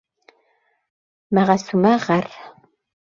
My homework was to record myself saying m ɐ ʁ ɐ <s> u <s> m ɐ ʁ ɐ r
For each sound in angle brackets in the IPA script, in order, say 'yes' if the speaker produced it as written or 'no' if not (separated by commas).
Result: yes, no